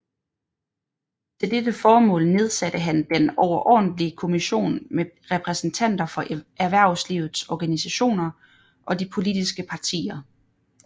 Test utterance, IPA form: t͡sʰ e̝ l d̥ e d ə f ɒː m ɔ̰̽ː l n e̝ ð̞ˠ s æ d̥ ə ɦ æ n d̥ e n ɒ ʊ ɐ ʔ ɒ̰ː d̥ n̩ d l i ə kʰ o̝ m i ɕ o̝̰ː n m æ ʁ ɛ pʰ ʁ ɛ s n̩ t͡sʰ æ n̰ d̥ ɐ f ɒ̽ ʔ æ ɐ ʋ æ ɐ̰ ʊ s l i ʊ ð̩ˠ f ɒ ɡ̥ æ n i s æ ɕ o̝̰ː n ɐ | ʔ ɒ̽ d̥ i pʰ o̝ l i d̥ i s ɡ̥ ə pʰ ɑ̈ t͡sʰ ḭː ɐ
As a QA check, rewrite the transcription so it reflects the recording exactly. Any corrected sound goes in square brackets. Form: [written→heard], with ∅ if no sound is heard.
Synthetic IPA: t͡sʰ e̝ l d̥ e d ə f ɒː m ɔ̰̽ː l n e̝ ð̞ˠ s æ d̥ ə ɦ æ n d̥ e n ɒ ʊ ɐ ʔ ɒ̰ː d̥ n̩ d l i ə kʰ o̝ m i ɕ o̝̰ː n m [æ→e] ʁ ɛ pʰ ʁ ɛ s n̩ t͡sʰ æ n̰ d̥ ɐ f ɒ̽ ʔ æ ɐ ʋ æ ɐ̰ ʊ s l i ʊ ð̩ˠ [f→s] ɒ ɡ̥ æ n i s æ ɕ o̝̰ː n ɐ | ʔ ɒ̽ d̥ i pʰ o̝ l i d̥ i s ɡ̥ ə pʰ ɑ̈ t͡sʰ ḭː ɐ